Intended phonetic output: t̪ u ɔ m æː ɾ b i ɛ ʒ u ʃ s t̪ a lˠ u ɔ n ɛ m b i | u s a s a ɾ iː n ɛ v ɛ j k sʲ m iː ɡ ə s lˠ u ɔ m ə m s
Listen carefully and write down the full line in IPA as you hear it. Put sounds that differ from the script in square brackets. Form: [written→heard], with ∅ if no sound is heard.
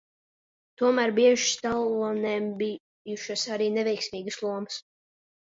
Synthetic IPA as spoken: t̪ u ɔ m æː ɾ b i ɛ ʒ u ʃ s t̪ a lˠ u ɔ n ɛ m b i | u [s→ʃ] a s a ɾ iː n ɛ v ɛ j k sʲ m iː ɡ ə s lˠ u ɔ m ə [m→∅] s